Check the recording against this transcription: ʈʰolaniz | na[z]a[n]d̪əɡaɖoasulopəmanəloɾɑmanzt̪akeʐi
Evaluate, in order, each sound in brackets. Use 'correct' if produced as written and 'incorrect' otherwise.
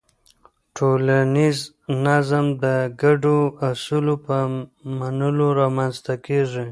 correct, incorrect: m

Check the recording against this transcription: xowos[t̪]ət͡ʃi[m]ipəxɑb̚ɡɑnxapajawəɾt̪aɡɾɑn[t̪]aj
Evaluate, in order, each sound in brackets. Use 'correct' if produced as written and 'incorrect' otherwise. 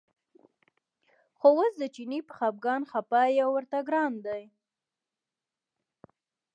incorrect: d̪, incorrect: n, incorrect: d̪

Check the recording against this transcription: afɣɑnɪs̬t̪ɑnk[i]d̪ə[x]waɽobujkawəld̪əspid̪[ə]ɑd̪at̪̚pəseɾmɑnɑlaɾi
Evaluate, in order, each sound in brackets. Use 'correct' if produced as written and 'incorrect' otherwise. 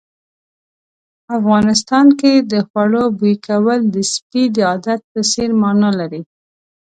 incorrect: e, correct, correct

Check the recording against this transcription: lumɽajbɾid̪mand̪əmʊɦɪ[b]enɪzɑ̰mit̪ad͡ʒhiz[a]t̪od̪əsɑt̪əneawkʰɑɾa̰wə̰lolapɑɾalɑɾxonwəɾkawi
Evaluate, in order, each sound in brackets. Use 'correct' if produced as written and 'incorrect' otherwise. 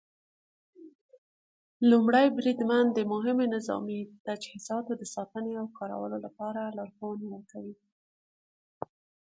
incorrect: m, incorrect: ɑ

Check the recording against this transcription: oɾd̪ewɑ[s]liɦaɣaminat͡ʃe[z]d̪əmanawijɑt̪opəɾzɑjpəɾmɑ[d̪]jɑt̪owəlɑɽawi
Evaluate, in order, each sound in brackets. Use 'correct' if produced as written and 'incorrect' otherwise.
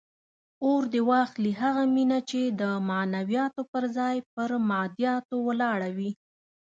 incorrect: x, incorrect: none, correct

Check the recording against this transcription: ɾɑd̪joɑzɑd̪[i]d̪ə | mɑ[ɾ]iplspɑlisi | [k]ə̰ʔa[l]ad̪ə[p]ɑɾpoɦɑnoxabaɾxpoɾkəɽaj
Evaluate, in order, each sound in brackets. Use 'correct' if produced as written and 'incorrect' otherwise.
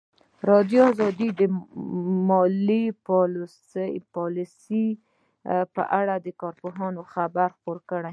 correct, incorrect: l, incorrect: p, incorrect: ɽ, incorrect: k

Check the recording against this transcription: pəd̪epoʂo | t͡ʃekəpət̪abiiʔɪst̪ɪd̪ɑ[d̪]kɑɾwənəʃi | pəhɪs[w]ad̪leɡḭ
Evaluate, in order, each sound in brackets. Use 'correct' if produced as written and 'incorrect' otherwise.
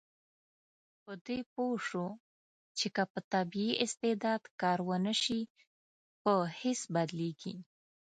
correct, incorrect: b

